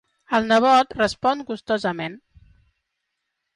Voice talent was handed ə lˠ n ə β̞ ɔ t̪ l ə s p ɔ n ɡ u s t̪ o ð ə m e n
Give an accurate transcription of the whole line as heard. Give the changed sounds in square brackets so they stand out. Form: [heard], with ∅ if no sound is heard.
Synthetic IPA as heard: ə lˠ n ə β̞ ɔ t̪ [r] ə s p ɔ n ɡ u s t̪ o [z] ə m e n